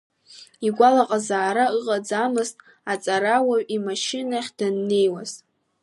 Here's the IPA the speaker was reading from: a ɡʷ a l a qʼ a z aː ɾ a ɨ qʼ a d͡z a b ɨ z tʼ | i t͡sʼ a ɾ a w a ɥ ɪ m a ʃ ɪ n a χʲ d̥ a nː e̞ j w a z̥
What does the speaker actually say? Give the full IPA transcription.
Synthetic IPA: i ɡʷ a l a qʼ a z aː ɾ a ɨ qʼ a d͡z a m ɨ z tʼ | a t͡sʼ a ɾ a w a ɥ i m a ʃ ɪ n a χʲ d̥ a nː e̞ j w a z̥

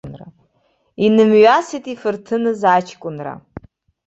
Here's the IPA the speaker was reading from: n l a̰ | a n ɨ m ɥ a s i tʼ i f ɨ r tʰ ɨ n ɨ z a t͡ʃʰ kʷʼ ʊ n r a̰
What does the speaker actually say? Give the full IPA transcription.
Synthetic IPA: n r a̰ | i n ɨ m ɥ a s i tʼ i f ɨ r tʰ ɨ n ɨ z a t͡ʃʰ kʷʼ ʊ n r a̰

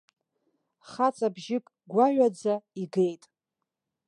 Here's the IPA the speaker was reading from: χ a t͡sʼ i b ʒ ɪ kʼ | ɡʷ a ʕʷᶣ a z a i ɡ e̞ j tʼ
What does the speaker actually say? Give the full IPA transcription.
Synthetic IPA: χ a t͡sʼ a b ʒ ɪ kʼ | ɡʷ a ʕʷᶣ a d͡z a i ɡ e̞ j tʼ

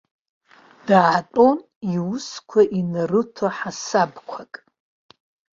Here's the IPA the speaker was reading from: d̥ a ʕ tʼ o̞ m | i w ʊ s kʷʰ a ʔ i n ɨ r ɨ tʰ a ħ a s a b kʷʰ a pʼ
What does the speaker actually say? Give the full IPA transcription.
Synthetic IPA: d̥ a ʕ tʼ o̞ n | i w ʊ s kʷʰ a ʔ i n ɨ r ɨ tʰ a ħ a s a b kʷʰ a kʼ

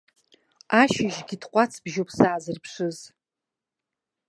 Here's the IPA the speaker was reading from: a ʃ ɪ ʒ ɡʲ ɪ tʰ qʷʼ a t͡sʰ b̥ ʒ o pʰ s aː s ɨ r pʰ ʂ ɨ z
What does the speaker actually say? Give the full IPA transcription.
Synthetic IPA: a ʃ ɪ ʒ ɡʲ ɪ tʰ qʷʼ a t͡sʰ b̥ ʒ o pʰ s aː z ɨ r pʰ ʂ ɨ z

